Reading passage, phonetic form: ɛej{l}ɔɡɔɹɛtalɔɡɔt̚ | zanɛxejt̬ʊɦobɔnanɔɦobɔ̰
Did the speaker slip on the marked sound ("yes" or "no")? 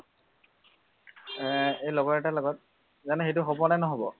no